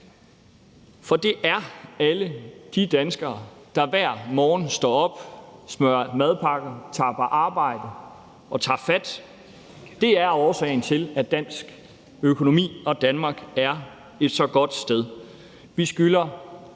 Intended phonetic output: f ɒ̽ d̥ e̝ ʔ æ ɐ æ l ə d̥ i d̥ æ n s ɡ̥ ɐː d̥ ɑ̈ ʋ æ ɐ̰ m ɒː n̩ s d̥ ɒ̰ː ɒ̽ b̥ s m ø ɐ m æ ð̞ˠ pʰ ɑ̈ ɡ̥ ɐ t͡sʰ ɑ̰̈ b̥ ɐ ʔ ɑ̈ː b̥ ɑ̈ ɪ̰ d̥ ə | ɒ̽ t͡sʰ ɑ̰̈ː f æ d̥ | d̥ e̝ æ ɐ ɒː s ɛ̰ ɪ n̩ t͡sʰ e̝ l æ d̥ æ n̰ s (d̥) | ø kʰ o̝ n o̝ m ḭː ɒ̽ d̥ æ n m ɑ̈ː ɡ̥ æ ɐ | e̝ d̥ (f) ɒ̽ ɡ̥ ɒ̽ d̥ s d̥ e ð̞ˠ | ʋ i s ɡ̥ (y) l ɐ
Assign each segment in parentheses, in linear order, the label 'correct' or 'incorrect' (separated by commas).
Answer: incorrect, incorrect, correct